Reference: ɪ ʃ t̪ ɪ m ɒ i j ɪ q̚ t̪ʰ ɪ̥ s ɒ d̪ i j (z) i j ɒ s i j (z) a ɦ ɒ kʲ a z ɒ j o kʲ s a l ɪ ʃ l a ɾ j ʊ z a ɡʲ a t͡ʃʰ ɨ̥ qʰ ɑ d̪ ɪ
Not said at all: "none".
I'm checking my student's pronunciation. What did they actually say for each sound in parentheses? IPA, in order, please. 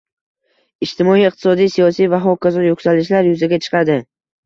s, v

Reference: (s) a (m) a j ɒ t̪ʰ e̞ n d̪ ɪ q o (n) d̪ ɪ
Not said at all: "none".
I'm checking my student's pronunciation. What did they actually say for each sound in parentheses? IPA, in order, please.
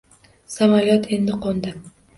s, m, n

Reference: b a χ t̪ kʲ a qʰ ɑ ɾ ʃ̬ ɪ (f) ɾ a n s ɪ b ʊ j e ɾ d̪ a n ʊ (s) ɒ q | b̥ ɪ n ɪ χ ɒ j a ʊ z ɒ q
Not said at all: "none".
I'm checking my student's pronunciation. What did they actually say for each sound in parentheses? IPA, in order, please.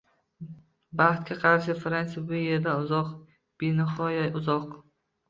f, z

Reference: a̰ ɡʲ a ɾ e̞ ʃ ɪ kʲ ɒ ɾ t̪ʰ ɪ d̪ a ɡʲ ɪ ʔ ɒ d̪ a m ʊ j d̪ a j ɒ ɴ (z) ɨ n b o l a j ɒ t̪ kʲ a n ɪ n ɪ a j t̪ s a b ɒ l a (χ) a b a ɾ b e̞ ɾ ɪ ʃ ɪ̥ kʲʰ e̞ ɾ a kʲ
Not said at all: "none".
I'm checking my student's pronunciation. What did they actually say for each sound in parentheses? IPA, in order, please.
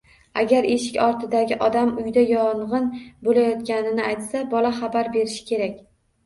ʁ, χ

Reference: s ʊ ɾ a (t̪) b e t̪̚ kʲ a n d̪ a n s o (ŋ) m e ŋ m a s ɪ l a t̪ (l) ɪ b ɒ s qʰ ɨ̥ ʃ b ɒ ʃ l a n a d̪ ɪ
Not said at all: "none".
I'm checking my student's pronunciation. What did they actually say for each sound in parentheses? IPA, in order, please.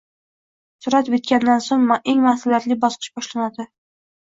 t̪, ŋ, l

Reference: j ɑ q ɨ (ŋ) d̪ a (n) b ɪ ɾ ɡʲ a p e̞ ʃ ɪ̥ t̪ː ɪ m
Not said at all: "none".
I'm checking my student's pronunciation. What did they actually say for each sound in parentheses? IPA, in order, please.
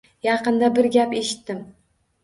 n, none

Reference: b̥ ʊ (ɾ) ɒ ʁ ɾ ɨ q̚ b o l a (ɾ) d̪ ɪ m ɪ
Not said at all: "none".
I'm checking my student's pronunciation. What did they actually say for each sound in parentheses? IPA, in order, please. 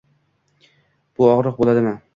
none, none

